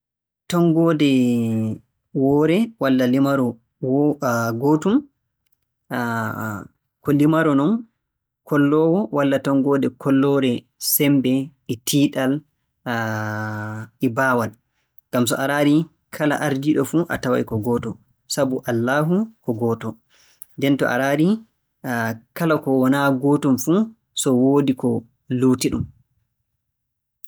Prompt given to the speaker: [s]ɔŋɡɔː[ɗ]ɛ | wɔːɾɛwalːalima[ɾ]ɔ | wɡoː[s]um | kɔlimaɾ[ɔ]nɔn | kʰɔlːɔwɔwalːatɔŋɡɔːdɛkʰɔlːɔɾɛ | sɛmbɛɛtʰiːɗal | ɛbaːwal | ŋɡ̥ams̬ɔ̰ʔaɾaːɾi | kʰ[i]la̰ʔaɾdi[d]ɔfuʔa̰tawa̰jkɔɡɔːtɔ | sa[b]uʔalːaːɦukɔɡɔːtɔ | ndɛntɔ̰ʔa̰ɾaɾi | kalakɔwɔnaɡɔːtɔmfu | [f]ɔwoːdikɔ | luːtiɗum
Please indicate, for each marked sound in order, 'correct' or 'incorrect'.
incorrect, incorrect, correct, incorrect, correct, incorrect, incorrect, correct, incorrect

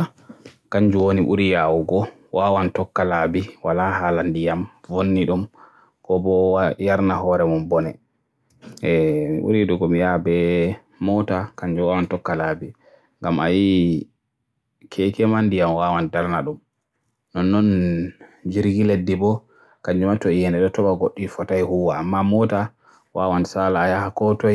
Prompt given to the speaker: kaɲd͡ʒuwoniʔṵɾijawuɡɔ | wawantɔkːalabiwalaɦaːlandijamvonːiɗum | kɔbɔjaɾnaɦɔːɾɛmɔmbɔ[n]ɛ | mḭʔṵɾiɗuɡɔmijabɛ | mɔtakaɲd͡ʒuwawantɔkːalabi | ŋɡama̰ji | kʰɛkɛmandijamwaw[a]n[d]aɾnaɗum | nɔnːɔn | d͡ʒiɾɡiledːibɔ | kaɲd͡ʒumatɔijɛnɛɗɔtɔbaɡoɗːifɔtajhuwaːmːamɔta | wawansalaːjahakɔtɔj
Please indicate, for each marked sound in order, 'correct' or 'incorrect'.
correct, correct, correct

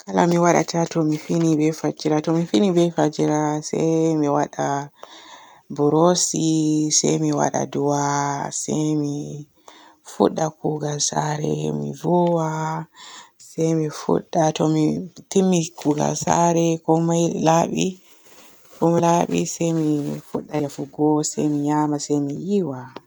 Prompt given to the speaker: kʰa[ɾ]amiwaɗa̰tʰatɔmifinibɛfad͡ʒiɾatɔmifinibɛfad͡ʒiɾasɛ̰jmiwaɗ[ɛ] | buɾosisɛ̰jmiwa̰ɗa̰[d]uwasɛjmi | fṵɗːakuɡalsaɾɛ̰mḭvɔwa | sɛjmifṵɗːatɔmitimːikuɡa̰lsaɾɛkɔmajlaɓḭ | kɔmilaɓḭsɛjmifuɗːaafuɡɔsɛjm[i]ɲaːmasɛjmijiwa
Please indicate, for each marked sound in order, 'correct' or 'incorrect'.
incorrect, incorrect, correct, correct

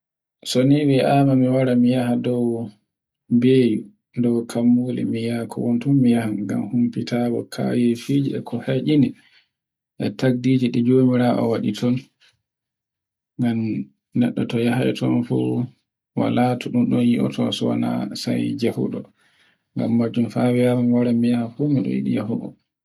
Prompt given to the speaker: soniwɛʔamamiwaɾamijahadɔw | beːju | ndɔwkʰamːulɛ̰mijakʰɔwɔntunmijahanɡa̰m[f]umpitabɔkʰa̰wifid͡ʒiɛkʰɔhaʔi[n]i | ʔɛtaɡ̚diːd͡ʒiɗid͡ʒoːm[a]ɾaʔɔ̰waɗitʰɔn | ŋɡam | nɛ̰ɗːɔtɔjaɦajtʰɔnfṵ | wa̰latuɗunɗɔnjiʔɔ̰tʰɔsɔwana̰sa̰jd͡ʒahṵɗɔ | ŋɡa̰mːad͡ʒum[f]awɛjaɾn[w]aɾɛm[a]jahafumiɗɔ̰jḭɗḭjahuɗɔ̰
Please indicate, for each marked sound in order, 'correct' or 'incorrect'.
incorrect, correct, incorrect, correct, correct, incorrect

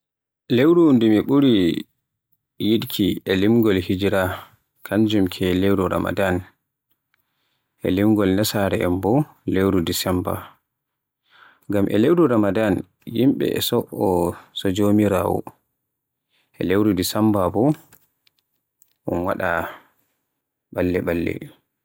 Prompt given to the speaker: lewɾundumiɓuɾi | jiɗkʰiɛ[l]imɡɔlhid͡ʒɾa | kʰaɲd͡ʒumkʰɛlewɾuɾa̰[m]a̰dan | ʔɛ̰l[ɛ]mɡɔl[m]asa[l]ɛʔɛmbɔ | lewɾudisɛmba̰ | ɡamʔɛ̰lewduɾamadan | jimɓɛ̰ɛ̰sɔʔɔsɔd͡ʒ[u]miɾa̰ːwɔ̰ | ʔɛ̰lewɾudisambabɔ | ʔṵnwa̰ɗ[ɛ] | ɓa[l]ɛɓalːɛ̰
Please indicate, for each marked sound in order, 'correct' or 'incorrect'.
correct, correct, incorrect, incorrect, incorrect, incorrect, incorrect, incorrect

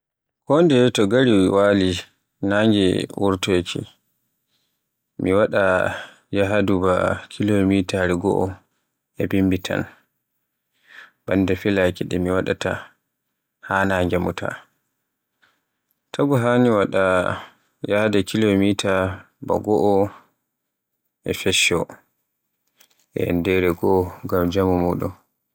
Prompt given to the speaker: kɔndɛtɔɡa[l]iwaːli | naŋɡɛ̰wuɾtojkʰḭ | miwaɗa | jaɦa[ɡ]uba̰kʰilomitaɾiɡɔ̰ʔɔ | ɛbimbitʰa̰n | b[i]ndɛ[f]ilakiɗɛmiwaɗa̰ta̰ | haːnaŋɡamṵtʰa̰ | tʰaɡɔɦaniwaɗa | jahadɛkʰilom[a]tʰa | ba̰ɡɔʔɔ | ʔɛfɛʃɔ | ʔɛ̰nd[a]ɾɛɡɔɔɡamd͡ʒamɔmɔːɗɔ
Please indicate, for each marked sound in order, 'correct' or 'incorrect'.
incorrect, incorrect, incorrect, correct, incorrect, incorrect

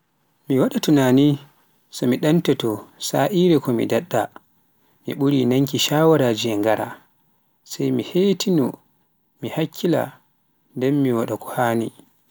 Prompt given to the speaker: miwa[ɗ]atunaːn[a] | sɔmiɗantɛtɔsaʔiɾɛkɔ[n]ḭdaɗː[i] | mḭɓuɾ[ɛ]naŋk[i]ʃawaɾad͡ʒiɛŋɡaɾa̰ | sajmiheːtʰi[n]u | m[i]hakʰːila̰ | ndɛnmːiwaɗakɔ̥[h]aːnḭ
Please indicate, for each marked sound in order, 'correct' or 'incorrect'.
correct, incorrect, incorrect, incorrect, incorrect, correct, correct, correct, correct

